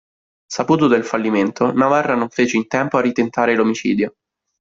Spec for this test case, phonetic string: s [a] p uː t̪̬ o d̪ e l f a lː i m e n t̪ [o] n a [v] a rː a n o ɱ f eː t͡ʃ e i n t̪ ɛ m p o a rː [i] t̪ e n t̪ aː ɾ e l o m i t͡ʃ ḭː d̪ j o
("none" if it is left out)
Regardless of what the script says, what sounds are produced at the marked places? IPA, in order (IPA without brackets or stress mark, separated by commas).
a, o, v, i